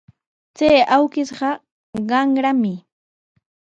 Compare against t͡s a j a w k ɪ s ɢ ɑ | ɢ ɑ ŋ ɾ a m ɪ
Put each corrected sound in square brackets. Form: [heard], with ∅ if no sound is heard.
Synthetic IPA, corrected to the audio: t͡s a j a w k ɪ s ɢ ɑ | ɢ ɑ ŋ ɾ a m ɪ